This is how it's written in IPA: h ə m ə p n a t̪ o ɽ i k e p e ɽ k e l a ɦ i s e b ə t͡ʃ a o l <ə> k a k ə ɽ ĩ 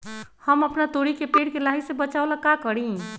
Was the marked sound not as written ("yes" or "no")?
yes